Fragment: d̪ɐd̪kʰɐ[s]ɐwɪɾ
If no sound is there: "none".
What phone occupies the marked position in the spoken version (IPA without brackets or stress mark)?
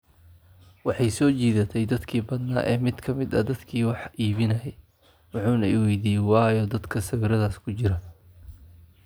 s